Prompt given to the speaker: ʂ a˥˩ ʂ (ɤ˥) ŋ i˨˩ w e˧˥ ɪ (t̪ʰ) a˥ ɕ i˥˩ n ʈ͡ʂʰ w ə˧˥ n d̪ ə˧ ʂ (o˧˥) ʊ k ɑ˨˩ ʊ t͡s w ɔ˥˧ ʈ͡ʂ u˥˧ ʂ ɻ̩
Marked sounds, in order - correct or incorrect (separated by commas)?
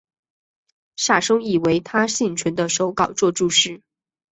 correct, correct, correct